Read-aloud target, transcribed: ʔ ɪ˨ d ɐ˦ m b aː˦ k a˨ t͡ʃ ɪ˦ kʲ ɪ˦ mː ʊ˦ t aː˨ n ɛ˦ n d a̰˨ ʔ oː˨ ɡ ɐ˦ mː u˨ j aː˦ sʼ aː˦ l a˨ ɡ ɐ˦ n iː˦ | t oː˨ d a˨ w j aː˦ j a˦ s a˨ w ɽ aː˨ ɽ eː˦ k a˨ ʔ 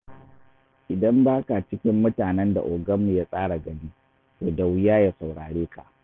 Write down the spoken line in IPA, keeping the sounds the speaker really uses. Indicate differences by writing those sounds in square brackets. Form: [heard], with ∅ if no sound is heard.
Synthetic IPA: ʔ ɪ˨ d ɐ˦ m b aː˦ k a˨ t͡ʃ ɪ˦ kʲ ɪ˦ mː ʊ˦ t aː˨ n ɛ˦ n d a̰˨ ʔ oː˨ ɡ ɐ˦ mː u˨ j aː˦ sʼ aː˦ [ɽ] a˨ ɡ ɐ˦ n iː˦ | t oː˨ d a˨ w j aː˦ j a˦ s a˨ w ɽ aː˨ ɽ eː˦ k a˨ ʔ